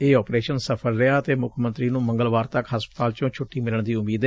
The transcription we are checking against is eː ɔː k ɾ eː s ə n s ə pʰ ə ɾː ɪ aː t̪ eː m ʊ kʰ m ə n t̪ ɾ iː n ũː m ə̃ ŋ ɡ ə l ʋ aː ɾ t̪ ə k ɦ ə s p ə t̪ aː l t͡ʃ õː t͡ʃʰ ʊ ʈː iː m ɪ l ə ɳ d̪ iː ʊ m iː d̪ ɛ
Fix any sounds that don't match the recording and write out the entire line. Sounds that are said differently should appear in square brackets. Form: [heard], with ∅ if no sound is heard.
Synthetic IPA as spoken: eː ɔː [p] ɾ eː [ʃ] ə n s ə pʰ ə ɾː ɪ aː t̪ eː m ʊ kʰ m ə n t̪ ɾ iː n ũː m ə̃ ŋ ɡ ə l ʋ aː ɾ t̪ ə k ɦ ə s p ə t̪ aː l t͡ʃ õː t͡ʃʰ ʊ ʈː iː m ɪ l ə ɳ d̪ iː ʊ m iː d̪ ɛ

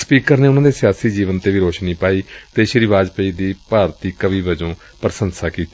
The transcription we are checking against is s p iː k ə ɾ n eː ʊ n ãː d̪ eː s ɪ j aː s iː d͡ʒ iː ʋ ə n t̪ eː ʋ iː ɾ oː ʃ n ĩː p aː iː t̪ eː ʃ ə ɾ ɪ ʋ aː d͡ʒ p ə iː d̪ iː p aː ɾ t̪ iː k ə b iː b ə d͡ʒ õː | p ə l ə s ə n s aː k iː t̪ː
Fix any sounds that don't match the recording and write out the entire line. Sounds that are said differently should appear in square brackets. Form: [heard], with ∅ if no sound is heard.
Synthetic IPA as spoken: s p iː k ə ɾ n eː ʊ n ãː d̪ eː s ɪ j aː s iː d͡ʒ iː ʋ ə n t̪ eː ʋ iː ɾ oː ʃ n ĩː p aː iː t̪ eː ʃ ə ɾ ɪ ʋ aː d͡ʒ p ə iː d̪ iː p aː ɾ t̪ iː k ə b iː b ə d͡ʒ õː | p ə [ɾ] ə s ə n s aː k iː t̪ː

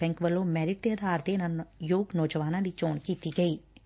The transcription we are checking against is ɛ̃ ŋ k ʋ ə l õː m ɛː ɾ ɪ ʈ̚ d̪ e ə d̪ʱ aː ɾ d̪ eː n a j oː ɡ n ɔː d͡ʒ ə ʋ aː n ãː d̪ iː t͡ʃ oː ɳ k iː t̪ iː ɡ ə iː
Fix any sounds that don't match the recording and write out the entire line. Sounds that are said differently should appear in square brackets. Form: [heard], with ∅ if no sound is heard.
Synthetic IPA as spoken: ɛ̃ ŋ k ʋ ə l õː m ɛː ɾ ɪ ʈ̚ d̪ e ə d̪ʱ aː ɾ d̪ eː n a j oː ɡ n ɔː d͡ʒ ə ʋ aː n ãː d̪ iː t͡ʃ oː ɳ k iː t̪ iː ɡ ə iː

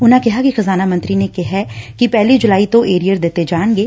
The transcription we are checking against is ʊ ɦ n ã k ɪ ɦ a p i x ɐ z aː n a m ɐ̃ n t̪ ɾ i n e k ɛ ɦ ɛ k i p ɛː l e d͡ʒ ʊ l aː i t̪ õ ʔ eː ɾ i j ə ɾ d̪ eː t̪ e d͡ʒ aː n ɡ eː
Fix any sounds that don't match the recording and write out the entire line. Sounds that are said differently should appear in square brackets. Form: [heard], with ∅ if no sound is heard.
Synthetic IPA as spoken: ʊ [∅] n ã k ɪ ɦ a [k] i x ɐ z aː n a m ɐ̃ n t̪ ɾ i n e k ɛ ɦ ɛ k i p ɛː l [i] d͡ʒ ʊ l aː i t̪ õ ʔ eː ɾ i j ə ɾ d̪ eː t̪ e d͡ʒ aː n ɡ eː

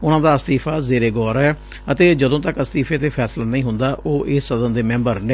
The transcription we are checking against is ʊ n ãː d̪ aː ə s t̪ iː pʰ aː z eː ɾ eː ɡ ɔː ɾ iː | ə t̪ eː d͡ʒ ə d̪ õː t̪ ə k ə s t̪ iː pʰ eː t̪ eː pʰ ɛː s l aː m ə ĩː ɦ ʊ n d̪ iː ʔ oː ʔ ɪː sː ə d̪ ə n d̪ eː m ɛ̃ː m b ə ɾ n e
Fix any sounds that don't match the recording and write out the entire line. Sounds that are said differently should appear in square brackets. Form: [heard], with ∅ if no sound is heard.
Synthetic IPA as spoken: ʊ n ãː d̪ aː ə s t̪ iː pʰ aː z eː ɾ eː ɡ ɔː ɾ [ɛː] | ə t̪ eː d͡ʒ ə d̪ õː t̪ ə k ə s t̪ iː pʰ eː t̪ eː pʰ ɛː s l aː [n] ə ĩː ɦ ʊ n d̪ [aː] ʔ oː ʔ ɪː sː ə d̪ ə n d̪ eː m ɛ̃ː m b ə ɾ n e

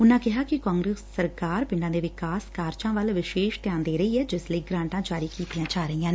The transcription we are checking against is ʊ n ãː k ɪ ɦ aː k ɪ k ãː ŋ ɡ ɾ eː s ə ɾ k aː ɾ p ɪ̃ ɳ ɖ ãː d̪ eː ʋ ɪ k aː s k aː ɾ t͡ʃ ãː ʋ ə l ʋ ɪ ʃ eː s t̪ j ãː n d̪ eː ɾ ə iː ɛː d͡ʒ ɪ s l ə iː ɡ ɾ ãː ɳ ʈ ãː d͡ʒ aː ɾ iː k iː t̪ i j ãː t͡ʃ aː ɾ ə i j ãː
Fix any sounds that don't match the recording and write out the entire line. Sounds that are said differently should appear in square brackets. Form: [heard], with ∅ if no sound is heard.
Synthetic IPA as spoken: ʊ n ãː k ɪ ɦ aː k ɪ k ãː ŋ ɡ ɾ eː s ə ɾ k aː ɾ p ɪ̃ ɳ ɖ ãː d̪ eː ʋ ɪ k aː s k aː ɾ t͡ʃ ãː ʋ ə l ʋ ɪ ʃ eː [ʃ] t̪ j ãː n d̪ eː ɾ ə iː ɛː d͡ʒ ɪ s l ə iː ɡ ɾ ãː ɳ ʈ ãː d͡ʒ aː ɾ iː k iː t̪ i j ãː t͡ʃ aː ɾ ə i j ãː

